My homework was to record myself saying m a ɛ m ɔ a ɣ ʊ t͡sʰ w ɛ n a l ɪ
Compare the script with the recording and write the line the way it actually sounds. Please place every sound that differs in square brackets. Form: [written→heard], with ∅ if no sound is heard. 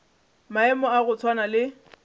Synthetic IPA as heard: m a ɛ m ɔ a ɣ ʊ t͡sʰ w [ɛ→a] n a l ɪ